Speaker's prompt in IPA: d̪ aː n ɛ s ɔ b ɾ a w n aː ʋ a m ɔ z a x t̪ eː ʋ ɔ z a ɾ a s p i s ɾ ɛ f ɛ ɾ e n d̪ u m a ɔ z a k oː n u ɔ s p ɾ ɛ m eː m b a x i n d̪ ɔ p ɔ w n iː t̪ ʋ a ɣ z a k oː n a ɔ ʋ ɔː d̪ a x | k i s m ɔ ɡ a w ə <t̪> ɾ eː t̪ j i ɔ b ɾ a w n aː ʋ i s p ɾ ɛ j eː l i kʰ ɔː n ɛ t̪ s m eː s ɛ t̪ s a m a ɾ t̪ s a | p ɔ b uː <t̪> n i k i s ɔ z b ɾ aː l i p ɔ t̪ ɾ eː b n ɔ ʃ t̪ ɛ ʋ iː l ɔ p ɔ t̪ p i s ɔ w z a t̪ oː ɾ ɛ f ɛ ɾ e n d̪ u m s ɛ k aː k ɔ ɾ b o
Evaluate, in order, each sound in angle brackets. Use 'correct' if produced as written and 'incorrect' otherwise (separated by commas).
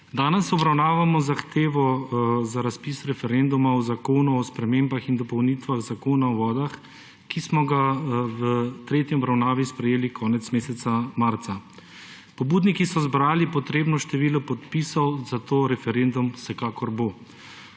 correct, incorrect